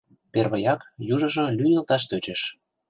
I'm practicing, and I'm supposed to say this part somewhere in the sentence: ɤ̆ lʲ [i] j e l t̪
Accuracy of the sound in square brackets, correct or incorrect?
incorrect